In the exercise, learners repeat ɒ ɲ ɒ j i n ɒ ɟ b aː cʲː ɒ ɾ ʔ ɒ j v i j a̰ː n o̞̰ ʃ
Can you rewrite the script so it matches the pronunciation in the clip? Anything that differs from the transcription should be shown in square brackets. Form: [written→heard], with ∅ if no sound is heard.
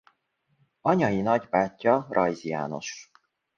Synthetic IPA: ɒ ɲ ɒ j i n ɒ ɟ b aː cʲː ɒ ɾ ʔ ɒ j [v→z] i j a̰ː n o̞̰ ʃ